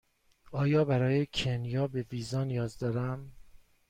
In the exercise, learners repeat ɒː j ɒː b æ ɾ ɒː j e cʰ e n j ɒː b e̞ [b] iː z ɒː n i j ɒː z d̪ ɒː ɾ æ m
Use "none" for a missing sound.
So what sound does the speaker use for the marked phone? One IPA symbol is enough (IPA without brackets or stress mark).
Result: v